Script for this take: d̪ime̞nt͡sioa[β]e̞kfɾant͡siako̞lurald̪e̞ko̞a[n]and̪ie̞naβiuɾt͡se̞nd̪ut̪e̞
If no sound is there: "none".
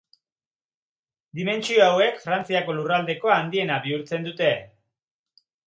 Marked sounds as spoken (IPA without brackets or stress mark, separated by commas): w, none